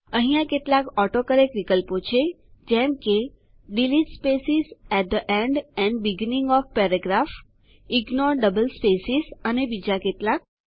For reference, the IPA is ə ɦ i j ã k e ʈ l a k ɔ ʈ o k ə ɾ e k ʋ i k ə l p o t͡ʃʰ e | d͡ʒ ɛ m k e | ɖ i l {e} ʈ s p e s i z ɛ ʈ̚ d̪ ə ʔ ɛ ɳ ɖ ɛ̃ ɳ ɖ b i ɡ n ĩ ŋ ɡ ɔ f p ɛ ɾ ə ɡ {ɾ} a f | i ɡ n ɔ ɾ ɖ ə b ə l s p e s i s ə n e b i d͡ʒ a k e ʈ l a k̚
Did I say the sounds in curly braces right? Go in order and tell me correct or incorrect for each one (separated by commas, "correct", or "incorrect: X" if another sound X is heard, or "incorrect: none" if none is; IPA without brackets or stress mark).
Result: incorrect: i, correct